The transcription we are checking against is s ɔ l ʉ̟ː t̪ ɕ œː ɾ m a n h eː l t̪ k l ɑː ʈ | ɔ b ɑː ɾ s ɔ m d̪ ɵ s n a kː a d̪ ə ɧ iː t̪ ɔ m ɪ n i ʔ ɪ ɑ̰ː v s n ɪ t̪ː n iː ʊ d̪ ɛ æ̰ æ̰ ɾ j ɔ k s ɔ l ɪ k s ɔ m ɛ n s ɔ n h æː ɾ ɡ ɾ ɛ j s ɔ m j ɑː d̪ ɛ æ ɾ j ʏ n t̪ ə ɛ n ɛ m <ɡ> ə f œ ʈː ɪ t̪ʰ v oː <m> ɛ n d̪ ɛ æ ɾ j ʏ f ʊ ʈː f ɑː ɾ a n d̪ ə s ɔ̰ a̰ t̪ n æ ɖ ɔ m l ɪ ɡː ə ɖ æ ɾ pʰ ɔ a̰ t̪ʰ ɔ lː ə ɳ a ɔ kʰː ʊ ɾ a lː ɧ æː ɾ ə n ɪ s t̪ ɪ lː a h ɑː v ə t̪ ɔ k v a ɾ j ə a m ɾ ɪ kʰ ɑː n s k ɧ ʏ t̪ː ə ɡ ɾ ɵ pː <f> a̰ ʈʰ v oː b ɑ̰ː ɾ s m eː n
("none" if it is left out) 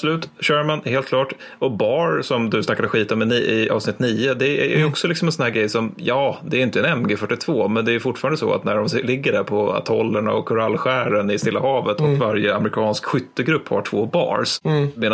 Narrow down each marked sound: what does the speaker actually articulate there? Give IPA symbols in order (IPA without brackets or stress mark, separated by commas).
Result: ɡ, m, h